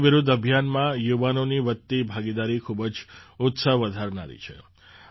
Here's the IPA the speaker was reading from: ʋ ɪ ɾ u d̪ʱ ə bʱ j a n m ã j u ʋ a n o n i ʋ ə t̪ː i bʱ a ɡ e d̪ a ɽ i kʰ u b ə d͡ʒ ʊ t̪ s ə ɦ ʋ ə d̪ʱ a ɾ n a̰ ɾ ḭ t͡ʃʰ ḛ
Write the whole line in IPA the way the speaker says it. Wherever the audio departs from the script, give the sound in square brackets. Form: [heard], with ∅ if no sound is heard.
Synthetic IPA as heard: ʋ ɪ ɾ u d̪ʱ ə bʱ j a n m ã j u ʋ a n o n i ʋ ə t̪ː i bʱ a ɡ [i] d̪ a [ɾ] i kʰ u b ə d͡ʒ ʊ t̪ s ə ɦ ʋ ə d̪ʱ a ɾ n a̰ ɾ ḭ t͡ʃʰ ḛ